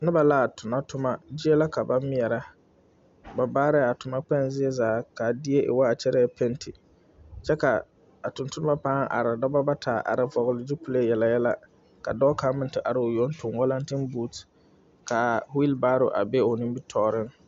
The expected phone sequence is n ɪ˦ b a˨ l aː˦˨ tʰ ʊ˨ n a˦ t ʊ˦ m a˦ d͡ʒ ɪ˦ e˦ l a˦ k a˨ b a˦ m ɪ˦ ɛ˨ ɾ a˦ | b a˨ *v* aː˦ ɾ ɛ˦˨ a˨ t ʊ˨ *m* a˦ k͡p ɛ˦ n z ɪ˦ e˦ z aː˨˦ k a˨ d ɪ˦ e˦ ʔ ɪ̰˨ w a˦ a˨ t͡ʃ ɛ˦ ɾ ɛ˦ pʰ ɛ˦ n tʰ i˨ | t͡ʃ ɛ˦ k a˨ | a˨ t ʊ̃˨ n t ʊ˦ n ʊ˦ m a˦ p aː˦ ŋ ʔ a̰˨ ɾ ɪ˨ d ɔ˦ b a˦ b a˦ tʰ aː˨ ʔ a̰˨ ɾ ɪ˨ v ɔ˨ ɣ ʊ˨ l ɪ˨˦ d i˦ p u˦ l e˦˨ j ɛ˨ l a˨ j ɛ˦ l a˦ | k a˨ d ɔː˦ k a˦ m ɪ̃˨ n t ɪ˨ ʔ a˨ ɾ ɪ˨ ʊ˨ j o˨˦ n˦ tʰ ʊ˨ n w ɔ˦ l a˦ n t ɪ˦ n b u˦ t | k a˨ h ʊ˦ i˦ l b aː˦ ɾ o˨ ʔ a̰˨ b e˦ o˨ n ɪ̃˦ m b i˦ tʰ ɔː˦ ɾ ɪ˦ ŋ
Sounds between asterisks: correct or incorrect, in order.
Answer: incorrect, correct

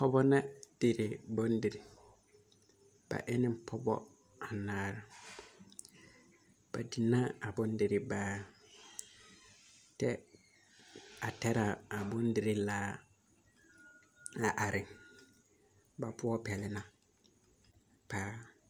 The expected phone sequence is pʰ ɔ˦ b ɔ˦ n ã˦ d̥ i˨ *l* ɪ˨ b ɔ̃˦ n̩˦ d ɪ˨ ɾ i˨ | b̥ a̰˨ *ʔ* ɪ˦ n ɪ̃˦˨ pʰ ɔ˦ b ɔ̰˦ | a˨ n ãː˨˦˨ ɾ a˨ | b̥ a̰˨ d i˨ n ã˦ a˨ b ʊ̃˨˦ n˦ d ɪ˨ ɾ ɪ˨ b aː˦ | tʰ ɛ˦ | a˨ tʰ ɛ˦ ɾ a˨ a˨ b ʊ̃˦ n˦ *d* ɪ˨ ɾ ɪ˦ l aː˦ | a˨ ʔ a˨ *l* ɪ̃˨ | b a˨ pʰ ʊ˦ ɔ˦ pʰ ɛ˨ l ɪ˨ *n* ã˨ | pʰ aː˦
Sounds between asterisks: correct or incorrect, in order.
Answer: incorrect, correct, correct, incorrect, correct

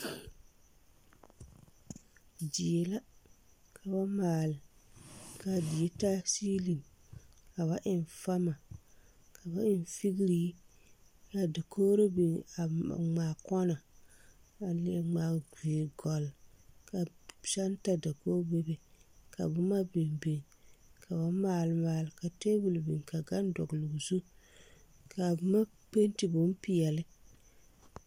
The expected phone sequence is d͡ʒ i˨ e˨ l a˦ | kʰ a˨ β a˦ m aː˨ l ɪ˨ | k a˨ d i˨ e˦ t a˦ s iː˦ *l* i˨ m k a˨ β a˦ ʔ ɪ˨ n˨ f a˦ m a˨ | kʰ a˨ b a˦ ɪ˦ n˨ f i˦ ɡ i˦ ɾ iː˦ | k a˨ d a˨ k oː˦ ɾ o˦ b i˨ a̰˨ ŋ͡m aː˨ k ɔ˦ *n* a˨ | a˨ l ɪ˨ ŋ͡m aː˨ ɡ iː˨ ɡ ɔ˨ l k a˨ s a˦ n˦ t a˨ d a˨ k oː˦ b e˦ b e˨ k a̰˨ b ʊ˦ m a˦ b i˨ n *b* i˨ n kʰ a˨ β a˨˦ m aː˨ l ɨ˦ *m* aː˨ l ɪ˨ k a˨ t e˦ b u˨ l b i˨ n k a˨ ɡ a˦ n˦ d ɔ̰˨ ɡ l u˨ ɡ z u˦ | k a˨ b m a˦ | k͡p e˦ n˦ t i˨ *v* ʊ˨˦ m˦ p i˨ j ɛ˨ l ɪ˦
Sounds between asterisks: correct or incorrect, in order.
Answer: correct, correct, correct, correct, incorrect

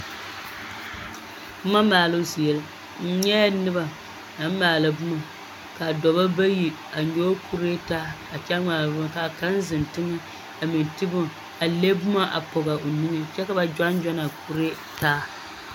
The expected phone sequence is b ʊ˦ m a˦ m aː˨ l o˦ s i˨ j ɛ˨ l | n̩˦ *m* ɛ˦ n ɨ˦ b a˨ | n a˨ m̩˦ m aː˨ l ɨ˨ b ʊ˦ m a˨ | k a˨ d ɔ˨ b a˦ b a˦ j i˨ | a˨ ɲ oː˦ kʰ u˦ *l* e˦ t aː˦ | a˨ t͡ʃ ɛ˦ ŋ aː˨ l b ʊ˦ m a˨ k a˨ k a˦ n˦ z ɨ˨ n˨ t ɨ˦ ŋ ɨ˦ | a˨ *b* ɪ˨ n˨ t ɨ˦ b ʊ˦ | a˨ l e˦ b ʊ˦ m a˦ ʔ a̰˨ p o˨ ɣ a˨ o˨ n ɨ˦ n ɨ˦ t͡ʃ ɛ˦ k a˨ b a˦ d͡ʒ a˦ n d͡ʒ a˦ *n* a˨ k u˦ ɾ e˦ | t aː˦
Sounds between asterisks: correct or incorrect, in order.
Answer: incorrect, incorrect, incorrect, correct

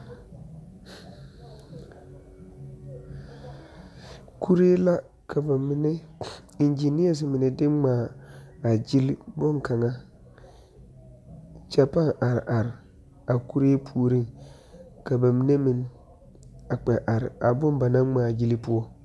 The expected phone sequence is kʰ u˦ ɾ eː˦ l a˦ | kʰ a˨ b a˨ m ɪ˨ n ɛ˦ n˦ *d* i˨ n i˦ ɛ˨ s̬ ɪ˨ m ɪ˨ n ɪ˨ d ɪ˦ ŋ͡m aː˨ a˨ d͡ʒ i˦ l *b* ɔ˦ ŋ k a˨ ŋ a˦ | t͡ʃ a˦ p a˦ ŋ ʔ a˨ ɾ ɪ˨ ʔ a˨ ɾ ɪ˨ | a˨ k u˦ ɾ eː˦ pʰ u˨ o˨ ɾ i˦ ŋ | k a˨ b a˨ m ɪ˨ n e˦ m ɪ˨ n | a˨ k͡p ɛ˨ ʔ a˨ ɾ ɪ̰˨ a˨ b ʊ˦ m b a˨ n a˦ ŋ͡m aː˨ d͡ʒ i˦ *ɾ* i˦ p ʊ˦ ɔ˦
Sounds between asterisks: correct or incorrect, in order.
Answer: incorrect, correct, incorrect

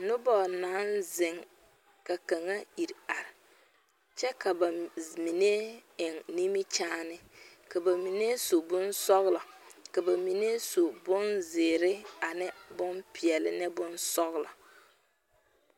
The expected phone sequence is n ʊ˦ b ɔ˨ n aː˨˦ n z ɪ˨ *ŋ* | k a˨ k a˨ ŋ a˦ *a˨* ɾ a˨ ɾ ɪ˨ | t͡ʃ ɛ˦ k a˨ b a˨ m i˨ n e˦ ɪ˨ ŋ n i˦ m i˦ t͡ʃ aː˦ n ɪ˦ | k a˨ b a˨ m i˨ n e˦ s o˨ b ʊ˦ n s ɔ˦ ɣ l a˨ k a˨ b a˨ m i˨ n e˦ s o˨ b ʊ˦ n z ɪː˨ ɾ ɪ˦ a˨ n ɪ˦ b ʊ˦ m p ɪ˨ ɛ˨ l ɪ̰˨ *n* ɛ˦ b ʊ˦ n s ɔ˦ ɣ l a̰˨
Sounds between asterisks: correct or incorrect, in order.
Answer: correct, incorrect, correct

